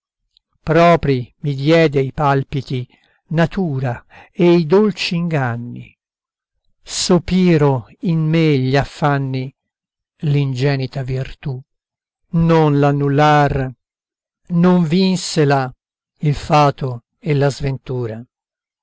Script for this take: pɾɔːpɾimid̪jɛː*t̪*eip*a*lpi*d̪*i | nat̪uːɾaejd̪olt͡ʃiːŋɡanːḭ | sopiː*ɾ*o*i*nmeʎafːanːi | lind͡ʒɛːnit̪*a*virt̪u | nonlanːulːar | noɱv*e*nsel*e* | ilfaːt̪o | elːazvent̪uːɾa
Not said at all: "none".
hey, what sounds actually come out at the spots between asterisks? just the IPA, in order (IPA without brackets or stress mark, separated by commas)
d̪, a, t̪, ɾ, i, a, i, a